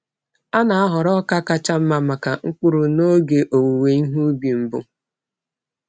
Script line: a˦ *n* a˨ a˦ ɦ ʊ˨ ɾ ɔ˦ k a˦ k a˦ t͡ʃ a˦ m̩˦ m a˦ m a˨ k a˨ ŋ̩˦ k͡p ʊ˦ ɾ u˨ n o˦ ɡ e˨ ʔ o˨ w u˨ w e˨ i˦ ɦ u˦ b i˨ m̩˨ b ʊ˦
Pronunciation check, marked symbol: correct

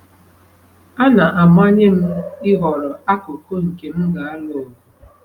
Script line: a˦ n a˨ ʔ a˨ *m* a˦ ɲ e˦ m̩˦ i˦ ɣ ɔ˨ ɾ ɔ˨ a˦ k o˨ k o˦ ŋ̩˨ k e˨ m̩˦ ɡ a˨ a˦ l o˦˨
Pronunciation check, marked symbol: correct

